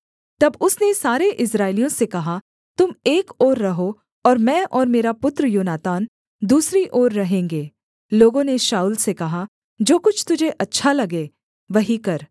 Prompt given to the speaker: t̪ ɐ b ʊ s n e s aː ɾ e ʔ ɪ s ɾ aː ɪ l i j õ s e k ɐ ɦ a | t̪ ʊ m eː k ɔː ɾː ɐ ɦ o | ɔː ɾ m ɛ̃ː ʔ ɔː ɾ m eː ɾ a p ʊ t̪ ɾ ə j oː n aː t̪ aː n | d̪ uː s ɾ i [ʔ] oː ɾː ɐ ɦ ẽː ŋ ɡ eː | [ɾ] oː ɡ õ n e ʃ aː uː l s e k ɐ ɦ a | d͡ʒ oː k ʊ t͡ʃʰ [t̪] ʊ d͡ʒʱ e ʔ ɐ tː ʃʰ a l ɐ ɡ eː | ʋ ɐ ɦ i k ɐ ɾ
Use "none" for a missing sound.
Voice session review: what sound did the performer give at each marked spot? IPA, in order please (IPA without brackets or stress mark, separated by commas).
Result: ʔ, l, t̪